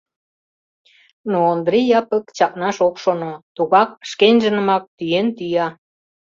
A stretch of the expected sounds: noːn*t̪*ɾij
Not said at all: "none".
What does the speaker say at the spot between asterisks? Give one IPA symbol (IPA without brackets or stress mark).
d̪